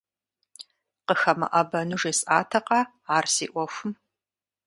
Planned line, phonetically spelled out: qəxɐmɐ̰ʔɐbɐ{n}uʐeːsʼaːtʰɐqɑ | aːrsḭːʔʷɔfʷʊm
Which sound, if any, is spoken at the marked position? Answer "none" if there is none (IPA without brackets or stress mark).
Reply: n